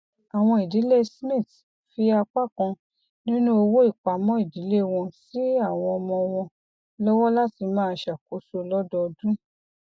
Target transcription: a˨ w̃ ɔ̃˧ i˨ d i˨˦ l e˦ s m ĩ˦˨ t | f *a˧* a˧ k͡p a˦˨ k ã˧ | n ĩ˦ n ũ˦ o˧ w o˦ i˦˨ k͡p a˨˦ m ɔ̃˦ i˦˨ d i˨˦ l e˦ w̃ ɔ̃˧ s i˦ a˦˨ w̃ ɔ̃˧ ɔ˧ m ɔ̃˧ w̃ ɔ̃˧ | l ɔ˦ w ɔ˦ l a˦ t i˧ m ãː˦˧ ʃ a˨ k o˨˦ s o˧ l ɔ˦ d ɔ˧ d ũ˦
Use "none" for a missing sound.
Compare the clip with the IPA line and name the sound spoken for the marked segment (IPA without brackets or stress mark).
i˧